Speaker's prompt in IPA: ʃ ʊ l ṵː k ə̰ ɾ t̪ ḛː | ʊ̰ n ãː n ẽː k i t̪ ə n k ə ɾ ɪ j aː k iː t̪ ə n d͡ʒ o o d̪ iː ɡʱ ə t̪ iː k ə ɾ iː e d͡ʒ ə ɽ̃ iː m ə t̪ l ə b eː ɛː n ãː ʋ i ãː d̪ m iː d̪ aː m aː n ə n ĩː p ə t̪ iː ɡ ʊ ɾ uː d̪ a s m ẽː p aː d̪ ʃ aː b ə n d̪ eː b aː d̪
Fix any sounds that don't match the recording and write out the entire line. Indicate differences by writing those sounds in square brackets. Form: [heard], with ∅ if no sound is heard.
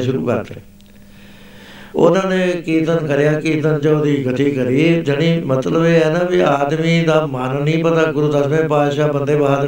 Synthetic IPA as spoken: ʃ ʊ [ɾ] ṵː k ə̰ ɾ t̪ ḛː | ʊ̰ n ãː n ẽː k [iː] t̪ ə n k ə ɾ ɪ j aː k iː t̪ ə n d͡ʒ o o d̪ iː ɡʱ ə t̪ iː k ə ɾ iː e d͡ʒ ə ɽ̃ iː m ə t̪ l ə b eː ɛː n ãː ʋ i [aː] d̪ m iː d̪ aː m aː n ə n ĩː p ə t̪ [aː] ɡ ʊ ɾ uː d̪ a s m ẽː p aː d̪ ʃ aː b ə n d̪ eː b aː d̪